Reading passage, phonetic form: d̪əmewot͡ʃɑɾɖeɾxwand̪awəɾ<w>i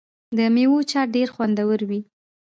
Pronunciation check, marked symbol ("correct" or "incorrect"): correct